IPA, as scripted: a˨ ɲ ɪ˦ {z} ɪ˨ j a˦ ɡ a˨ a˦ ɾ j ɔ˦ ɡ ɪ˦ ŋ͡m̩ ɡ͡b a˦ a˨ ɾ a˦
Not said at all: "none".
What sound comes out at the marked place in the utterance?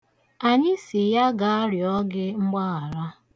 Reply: s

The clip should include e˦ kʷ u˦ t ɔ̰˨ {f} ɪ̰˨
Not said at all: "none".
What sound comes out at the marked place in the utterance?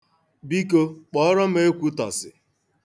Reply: s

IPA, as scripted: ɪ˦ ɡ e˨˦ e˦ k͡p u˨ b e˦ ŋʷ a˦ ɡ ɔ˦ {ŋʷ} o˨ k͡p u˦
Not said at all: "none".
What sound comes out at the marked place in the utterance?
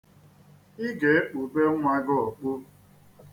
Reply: none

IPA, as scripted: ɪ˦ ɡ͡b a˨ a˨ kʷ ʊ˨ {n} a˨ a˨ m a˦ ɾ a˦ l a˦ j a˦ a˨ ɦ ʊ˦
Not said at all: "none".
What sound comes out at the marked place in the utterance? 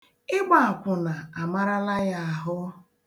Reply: n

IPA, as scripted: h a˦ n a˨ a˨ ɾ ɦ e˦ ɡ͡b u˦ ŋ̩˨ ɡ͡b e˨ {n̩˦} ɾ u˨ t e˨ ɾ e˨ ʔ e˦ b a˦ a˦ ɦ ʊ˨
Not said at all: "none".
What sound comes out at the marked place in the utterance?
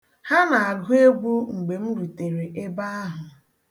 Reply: m̩˦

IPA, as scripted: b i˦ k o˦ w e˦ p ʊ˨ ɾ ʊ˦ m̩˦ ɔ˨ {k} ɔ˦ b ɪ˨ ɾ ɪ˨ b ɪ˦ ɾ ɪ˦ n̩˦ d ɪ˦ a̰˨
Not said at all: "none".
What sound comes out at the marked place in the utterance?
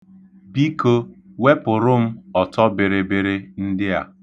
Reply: t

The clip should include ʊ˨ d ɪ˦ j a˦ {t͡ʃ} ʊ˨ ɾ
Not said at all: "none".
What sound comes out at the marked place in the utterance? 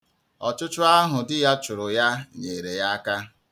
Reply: t͡ʃ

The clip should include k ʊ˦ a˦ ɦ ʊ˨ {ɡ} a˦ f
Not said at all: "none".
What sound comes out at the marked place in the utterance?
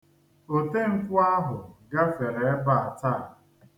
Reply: ɡ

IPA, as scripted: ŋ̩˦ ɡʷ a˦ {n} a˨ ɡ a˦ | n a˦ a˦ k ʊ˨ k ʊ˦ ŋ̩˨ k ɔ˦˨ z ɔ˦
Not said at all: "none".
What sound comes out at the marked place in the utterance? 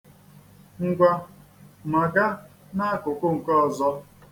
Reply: m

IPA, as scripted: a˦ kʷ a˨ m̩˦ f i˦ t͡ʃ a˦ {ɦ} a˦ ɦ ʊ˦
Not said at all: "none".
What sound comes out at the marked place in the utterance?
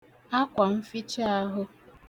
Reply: none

